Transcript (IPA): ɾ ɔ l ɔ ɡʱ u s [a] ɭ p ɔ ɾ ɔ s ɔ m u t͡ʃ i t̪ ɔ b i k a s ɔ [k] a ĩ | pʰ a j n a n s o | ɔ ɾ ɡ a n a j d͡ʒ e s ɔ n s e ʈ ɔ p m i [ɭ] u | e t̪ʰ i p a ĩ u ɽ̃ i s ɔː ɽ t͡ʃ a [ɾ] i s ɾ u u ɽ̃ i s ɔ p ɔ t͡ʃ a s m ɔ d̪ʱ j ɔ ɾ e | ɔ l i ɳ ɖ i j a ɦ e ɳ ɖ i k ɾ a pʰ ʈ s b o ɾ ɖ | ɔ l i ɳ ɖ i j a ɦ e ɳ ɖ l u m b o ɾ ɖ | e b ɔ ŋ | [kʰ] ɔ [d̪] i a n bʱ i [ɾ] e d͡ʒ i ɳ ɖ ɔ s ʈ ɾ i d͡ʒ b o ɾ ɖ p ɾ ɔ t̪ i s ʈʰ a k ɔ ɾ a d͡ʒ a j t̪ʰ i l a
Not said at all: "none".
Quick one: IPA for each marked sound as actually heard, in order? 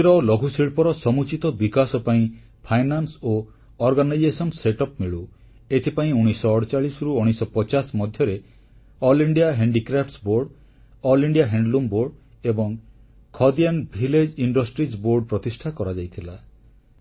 i, p, ɭ, ɭ, kʰ, d̪, l

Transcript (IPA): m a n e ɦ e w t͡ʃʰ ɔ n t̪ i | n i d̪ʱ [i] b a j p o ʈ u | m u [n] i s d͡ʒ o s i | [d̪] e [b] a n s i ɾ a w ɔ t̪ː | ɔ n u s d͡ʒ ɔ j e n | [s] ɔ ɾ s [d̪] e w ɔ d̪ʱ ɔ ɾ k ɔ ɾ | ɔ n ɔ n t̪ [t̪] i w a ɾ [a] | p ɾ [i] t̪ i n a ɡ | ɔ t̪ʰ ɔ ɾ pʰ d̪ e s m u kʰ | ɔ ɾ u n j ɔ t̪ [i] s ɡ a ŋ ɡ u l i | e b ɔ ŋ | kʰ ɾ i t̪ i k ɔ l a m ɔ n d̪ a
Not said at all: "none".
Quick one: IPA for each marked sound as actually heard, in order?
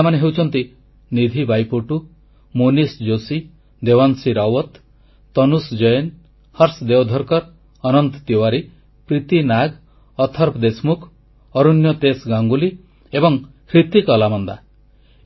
i, n, d̪, w, h, d̪, t̪, i, i, e

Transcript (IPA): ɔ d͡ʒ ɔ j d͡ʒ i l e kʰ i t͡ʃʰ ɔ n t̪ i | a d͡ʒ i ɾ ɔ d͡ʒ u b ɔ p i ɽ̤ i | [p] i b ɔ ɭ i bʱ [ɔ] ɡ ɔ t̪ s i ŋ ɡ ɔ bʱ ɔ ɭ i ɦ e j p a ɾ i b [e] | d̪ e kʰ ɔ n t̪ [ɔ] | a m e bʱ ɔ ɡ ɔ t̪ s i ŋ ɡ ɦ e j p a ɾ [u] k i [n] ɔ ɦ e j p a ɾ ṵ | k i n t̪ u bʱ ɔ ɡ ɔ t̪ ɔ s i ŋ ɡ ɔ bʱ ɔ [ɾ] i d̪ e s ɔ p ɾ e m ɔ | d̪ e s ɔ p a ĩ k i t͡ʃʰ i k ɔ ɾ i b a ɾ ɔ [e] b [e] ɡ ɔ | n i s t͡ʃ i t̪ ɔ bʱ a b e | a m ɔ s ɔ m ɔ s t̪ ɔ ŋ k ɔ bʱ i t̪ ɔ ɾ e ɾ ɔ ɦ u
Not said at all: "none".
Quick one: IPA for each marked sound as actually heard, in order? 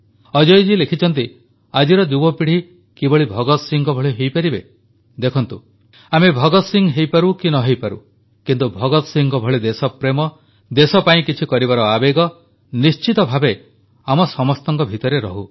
k, ɔ, e, u, u, n, ɭ, a, e

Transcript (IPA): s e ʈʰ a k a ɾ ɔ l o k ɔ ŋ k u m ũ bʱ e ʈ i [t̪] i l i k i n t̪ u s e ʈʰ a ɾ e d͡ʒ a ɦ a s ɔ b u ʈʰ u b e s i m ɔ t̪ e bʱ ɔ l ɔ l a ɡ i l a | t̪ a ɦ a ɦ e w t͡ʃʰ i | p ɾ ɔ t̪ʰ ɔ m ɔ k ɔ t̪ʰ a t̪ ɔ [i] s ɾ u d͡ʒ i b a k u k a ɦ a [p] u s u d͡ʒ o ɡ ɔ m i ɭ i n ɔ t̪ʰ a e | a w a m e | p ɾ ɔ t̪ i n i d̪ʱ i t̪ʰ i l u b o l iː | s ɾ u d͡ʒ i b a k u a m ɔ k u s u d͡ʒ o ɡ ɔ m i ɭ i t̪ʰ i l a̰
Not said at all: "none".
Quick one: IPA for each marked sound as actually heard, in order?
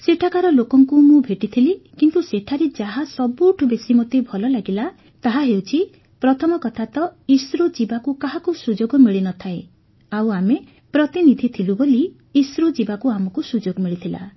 t̪ʰ, i, k

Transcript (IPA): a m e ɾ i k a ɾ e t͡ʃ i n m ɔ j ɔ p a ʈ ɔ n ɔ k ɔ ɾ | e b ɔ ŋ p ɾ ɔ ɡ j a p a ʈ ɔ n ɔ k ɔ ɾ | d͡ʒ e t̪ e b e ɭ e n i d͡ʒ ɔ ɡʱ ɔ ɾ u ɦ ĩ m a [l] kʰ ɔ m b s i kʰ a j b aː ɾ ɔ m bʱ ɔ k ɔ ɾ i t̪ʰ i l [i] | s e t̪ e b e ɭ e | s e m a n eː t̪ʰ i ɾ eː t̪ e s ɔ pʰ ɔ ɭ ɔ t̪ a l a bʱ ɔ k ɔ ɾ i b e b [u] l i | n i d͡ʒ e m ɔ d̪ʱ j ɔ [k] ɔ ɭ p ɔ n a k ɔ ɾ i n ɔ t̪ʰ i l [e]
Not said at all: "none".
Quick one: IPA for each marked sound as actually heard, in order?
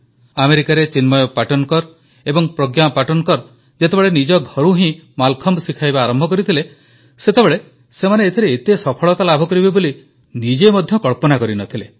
l, e, o, k, e

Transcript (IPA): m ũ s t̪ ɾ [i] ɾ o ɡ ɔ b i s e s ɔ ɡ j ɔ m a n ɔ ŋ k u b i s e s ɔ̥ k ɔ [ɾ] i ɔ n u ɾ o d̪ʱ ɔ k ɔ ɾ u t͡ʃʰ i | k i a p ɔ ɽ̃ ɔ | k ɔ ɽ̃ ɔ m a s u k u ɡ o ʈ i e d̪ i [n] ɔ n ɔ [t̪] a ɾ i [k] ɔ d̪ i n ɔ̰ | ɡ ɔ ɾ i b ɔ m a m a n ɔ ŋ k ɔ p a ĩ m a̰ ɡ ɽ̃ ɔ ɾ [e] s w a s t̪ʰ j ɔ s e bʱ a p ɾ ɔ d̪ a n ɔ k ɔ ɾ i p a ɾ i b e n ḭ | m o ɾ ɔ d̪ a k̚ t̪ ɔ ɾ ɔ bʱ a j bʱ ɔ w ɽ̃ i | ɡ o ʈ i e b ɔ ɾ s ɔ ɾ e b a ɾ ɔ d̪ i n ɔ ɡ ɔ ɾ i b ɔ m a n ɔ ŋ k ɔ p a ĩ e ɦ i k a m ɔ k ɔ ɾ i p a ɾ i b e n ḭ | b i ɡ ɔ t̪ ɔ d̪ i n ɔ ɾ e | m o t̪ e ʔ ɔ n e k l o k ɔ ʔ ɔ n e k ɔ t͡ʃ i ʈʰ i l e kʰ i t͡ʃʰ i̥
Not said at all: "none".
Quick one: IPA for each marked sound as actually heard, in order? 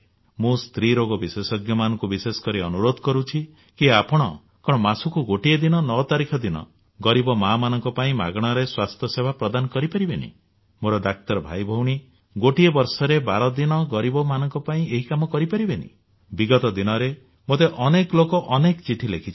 i, ɾ, n, t̪, kʰ, e

